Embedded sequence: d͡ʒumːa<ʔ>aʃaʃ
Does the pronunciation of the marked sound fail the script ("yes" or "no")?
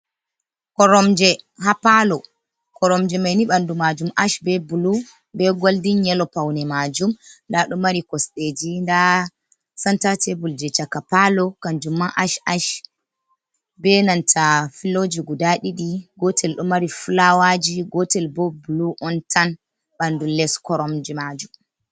no